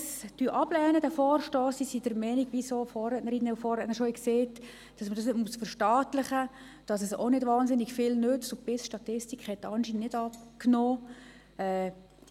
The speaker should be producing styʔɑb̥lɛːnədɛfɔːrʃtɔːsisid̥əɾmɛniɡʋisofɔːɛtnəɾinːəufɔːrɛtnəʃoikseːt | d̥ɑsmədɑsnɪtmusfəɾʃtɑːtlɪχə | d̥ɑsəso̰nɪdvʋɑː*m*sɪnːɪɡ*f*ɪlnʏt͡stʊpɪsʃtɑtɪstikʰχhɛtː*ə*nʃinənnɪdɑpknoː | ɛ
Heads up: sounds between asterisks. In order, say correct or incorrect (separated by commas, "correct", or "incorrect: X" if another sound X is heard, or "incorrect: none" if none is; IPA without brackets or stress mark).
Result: incorrect: n, correct, incorrect: ɑ